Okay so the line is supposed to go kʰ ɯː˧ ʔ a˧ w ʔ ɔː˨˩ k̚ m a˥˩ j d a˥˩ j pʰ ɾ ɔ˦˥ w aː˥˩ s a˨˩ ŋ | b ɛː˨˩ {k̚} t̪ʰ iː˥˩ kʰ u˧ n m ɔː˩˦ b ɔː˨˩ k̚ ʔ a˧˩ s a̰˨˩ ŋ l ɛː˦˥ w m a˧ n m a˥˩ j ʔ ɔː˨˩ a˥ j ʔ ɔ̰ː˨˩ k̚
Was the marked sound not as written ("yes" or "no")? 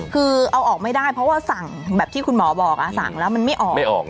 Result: yes